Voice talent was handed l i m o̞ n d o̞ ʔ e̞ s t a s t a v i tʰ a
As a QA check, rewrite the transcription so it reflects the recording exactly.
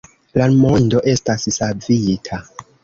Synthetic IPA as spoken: l a m o̞ n d o̞ ʔ e̞ s t a s s a v i tʰ a